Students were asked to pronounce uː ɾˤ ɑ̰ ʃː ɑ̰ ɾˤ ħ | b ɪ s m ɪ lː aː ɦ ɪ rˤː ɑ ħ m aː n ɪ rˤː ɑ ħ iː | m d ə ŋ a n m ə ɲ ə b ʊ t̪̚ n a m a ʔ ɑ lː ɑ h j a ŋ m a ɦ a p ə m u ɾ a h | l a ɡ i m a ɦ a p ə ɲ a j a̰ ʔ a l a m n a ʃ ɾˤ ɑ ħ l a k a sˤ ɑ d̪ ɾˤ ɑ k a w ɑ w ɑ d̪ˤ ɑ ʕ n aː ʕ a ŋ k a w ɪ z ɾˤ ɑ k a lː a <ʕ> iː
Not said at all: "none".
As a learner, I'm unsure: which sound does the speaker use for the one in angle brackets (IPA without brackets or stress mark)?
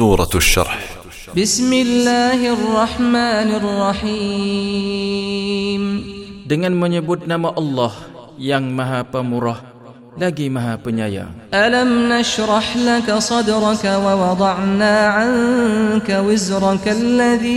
ð